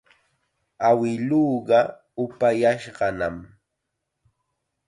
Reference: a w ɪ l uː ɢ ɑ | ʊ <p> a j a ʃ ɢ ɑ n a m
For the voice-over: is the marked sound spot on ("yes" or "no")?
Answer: yes